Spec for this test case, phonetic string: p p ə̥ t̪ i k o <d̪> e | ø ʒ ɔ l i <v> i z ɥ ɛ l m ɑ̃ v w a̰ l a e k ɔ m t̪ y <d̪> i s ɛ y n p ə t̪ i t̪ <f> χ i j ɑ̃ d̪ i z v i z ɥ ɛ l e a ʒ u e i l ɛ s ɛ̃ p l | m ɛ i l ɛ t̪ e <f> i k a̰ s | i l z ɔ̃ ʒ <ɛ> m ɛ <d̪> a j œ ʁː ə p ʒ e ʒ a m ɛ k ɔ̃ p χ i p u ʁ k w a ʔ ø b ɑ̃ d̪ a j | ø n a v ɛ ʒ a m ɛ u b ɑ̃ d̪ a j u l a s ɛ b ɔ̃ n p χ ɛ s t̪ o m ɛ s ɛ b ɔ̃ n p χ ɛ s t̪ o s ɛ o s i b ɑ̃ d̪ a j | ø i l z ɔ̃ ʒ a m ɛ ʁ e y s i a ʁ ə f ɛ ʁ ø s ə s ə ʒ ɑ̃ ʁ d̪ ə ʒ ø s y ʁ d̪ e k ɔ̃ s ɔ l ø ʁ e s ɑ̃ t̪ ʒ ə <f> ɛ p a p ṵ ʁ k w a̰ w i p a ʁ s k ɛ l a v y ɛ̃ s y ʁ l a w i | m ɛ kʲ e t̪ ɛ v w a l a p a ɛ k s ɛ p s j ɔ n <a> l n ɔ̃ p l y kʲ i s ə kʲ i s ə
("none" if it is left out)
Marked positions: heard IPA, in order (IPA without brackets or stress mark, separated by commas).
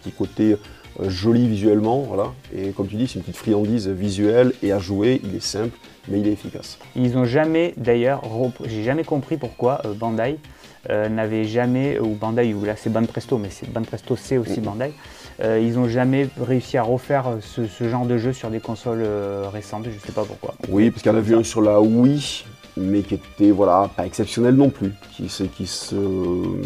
t̪, v, d̪, f, f, a, d̪, s, ɛ